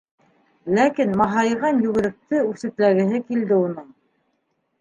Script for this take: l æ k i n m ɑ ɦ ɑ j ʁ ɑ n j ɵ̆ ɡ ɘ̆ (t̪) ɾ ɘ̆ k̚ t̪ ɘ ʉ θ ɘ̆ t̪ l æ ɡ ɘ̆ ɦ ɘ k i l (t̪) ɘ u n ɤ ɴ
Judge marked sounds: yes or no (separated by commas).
no, no